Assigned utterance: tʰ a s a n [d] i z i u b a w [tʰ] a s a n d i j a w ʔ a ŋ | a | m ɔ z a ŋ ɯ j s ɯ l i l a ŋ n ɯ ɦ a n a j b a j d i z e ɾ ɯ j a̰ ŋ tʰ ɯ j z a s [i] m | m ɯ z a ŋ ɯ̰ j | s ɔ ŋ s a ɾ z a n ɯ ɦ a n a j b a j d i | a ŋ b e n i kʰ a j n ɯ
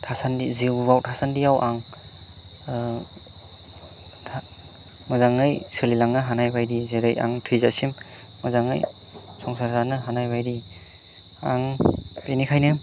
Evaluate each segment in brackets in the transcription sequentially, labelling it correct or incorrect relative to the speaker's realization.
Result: correct, correct, correct

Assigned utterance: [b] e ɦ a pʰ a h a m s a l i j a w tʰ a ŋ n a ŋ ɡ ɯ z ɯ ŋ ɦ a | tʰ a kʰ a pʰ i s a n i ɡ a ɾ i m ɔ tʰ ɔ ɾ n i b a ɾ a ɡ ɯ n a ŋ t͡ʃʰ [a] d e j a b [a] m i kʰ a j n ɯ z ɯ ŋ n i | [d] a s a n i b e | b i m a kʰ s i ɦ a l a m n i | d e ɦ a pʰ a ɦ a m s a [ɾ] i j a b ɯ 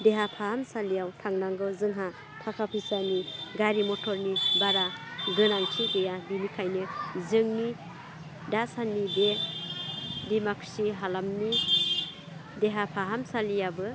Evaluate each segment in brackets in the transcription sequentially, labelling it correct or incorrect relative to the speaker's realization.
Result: incorrect: d, incorrect: i, incorrect: i, correct, incorrect: l

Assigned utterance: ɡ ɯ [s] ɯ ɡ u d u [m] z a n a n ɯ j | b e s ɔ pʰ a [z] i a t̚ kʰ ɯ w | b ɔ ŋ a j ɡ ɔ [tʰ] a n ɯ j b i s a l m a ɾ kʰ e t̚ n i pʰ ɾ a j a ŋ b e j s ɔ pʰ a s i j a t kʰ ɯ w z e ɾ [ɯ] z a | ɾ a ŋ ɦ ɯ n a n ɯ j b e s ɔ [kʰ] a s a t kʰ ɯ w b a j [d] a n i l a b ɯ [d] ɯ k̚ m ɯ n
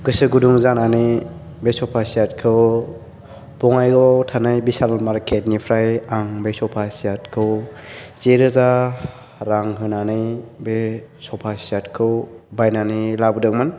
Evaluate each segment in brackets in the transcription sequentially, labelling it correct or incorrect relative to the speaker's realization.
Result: correct, incorrect: ŋ, incorrect: s, correct, correct, incorrect: pʰ, incorrect: n, correct

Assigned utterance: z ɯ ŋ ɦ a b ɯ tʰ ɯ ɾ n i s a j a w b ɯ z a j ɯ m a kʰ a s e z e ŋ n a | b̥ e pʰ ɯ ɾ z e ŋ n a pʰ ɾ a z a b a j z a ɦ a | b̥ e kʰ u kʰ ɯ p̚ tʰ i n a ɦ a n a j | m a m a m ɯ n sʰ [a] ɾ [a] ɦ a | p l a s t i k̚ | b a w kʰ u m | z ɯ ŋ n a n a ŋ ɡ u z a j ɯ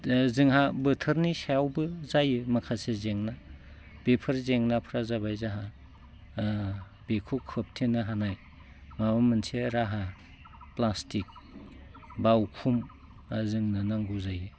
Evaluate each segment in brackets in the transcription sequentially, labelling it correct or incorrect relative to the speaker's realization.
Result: incorrect: e, correct

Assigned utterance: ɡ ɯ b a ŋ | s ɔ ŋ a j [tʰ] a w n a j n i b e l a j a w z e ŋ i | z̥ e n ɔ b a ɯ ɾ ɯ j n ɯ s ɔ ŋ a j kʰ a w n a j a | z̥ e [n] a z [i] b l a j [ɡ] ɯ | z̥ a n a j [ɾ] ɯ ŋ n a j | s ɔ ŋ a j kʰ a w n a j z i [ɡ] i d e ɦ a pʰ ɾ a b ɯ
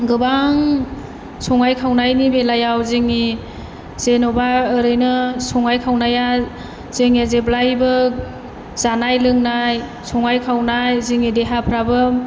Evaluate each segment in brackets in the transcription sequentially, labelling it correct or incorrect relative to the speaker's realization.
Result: incorrect: kʰ, incorrect: ŋ, incorrect: e, incorrect: b, incorrect: l, incorrect: ŋ

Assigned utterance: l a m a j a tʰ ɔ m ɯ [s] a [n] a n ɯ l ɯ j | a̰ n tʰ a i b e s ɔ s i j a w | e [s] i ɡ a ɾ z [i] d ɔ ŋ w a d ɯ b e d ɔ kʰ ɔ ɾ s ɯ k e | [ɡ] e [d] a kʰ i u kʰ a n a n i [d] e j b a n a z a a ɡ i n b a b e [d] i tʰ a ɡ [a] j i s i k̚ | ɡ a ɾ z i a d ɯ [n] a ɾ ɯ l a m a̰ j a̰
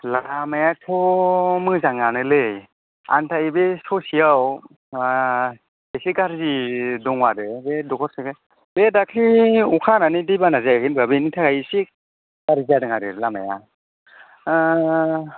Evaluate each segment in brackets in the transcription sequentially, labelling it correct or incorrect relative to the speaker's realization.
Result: incorrect: z, incorrect: ŋ, correct, correct, incorrect: b, correct, correct, incorrect: n, correct, incorrect: ŋ

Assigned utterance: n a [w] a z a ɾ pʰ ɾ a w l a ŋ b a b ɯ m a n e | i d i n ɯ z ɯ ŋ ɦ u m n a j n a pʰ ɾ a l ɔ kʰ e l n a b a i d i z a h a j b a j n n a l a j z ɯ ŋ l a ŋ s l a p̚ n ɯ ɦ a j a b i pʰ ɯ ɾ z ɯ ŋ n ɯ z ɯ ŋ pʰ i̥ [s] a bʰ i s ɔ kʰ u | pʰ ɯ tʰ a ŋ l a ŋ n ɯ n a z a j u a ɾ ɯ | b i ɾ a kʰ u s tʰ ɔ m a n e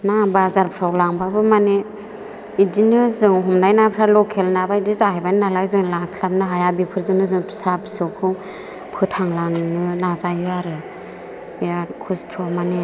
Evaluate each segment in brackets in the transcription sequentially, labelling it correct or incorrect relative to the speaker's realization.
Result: incorrect: b, correct

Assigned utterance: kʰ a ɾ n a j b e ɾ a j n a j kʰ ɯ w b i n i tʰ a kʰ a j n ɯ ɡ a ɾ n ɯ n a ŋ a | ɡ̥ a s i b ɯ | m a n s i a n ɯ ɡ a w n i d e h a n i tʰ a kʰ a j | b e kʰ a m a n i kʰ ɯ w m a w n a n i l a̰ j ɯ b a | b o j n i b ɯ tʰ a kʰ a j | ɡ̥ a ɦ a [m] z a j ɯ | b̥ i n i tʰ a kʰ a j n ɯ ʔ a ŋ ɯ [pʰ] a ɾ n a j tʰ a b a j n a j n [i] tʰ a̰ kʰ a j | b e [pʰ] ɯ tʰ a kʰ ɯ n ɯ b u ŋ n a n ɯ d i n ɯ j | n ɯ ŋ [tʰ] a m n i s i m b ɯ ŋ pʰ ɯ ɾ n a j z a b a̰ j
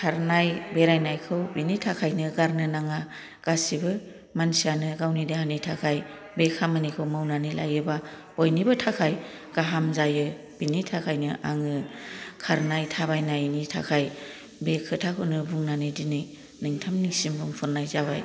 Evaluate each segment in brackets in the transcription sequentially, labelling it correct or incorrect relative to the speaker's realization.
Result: correct, incorrect: kʰ, correct, incorrect: kʰ, correct

